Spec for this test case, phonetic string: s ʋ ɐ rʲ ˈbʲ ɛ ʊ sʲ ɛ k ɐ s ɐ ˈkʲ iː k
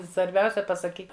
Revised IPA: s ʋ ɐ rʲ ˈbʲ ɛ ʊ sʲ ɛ p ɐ s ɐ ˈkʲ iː k